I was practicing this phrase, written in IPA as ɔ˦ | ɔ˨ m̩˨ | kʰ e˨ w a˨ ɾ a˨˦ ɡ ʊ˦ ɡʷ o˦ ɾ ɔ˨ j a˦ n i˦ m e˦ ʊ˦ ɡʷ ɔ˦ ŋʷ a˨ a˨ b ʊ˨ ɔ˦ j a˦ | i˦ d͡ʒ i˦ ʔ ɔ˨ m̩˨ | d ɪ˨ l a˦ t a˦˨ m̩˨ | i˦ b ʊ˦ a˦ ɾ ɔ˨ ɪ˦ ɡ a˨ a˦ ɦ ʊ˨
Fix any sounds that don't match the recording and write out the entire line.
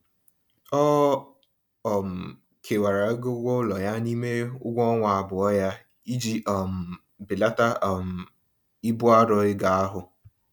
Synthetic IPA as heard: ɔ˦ | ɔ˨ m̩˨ | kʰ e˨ w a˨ ɾ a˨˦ ɡ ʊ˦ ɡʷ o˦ l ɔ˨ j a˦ n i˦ m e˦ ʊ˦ ɡʷ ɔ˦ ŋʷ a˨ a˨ b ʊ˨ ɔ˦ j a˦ | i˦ d͡ʒ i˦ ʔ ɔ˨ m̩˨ | b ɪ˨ l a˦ t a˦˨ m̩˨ | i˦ b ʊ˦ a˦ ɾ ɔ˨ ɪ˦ ɡ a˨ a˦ ɦ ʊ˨